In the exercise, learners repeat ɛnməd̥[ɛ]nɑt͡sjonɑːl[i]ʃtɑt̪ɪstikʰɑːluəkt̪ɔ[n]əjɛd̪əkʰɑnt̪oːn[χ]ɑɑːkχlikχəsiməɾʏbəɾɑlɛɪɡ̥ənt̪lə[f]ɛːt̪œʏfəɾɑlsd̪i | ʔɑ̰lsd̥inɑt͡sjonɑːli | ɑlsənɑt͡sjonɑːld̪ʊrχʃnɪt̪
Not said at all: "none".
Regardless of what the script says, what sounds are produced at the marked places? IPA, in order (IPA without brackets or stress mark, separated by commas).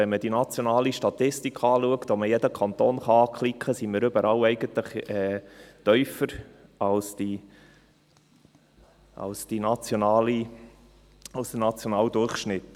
i, i, m, χ, χ